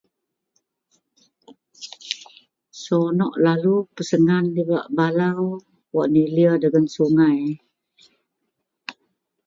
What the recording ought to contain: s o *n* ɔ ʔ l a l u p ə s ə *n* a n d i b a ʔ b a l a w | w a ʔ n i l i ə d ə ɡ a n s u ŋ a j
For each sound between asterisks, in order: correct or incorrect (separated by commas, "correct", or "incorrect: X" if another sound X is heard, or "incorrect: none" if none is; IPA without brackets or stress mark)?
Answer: correct, incorrect: ŋ